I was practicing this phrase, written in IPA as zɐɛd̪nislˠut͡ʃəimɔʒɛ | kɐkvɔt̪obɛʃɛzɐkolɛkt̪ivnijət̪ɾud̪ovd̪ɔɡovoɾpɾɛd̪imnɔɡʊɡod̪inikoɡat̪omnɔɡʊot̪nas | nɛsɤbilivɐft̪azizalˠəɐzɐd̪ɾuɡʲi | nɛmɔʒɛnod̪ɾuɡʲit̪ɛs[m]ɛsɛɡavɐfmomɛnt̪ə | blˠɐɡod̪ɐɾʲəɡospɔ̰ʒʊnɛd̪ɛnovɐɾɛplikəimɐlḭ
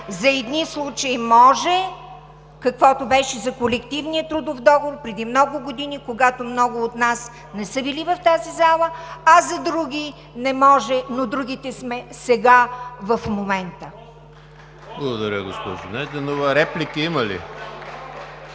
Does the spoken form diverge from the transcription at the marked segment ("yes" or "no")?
no